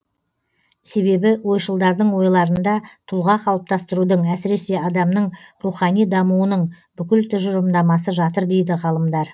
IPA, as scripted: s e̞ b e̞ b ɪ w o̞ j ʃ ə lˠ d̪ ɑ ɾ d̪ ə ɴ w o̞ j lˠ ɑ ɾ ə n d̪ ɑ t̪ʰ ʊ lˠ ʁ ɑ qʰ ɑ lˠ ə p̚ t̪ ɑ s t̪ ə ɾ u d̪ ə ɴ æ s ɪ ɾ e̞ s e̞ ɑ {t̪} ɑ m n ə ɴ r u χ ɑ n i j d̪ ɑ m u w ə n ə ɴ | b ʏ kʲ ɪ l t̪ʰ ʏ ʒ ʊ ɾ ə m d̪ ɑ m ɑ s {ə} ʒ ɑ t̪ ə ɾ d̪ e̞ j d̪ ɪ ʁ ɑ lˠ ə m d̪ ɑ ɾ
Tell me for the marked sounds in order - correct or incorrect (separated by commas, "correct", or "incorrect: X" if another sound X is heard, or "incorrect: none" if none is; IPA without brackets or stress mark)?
incorrect: d̪, correct